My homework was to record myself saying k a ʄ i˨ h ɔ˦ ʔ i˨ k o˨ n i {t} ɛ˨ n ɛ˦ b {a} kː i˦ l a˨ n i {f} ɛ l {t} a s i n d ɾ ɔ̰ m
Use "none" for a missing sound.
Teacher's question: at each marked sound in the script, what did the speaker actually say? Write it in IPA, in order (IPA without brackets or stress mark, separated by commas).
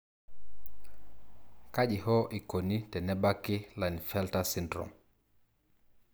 t, a, f, t